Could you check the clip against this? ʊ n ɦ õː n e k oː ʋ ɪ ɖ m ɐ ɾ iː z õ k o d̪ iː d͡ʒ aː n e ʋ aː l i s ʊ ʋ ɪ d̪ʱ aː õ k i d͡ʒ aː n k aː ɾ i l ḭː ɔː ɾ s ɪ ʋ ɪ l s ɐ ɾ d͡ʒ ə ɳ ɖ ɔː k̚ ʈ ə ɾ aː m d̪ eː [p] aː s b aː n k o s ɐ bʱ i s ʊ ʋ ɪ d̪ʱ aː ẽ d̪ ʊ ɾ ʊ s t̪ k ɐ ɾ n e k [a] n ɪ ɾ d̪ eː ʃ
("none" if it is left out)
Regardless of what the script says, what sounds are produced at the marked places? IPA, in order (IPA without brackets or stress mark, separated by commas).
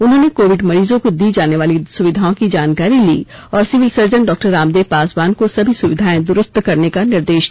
p, a